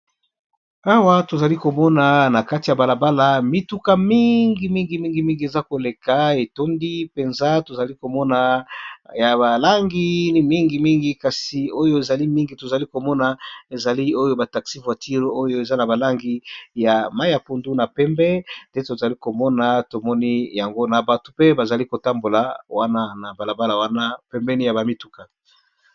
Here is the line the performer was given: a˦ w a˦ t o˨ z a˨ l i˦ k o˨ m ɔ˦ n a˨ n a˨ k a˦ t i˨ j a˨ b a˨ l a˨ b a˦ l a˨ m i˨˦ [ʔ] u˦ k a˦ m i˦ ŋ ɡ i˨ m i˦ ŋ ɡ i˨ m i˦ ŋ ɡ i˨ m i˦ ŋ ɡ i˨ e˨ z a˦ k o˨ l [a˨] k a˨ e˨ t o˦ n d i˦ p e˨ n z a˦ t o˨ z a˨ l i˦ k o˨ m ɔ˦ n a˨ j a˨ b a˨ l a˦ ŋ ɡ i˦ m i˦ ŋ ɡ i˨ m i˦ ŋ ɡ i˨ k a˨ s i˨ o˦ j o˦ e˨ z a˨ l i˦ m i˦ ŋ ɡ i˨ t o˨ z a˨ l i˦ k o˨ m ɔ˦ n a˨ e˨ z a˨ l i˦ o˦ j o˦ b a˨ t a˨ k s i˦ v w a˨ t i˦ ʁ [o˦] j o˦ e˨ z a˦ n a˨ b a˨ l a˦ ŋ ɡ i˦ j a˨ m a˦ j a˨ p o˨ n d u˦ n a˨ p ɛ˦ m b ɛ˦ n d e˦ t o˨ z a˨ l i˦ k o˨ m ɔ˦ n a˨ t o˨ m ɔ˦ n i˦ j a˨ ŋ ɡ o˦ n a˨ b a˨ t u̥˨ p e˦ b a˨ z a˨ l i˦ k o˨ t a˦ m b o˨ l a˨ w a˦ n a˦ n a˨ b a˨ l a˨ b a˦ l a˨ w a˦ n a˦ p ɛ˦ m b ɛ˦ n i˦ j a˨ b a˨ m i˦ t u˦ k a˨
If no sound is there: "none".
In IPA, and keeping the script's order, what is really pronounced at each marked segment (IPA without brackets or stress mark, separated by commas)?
t, e˨, o˦